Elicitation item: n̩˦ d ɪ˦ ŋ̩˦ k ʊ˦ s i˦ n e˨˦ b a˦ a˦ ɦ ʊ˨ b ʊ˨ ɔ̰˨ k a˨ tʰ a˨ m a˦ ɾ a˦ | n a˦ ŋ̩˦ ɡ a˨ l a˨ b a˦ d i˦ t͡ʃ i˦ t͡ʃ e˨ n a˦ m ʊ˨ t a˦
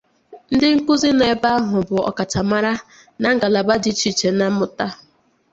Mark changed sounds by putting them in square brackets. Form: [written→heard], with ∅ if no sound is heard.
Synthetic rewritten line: n̩˦ d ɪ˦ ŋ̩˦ k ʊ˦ [s→z] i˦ n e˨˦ b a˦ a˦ ɦ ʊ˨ b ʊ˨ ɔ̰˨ k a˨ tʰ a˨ m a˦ ɾ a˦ | n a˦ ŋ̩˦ ɡ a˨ l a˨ b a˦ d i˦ t͡ʃ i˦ t͡ʃ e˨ n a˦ m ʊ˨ t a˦